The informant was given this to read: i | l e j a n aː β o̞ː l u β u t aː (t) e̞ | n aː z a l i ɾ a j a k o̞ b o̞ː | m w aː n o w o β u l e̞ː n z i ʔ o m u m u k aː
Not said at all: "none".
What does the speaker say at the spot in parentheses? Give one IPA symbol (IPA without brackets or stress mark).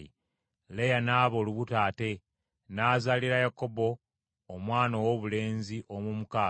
t